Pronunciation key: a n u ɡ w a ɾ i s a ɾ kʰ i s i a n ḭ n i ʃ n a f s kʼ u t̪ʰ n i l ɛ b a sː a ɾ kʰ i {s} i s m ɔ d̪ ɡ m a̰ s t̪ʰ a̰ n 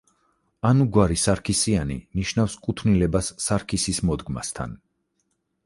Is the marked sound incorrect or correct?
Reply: correct